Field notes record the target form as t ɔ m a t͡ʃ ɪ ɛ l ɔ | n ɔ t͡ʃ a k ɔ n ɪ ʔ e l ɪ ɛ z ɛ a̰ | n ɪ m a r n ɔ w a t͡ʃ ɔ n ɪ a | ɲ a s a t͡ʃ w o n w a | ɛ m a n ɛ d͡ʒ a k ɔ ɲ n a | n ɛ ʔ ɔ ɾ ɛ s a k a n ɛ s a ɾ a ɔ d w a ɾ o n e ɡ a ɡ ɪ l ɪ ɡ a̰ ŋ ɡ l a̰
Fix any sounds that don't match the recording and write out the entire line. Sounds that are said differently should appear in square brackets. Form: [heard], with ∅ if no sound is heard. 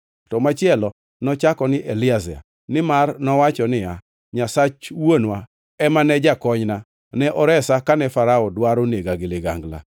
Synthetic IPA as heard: t ɔ m a t͡ʃ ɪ ɛ l ɔ | n ɔ t͡ʃ a k ɔ n ɪ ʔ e l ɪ [a] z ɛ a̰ | n ɪ m a r n ɔ w a t͡ʃ ɔ n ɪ a | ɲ a s a t͡ʃ w o n w a | ɛ m a n ɛ d͡ʒ a k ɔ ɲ n a | n ɛ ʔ ɔ ɾ ɛ s a k a n ɛ [f] a ɾ a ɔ d w a ɾ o n e ɡ a ɡ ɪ l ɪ ɡ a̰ ŋ ɡ l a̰